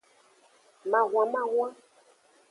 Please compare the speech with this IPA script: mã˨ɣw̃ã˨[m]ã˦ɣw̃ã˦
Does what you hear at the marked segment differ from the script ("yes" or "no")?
no